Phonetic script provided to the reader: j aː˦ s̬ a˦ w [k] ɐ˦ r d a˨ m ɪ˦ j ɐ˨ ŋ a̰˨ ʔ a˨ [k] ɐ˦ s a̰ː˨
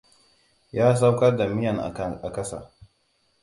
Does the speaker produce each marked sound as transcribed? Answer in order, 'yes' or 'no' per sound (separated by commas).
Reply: yes, yes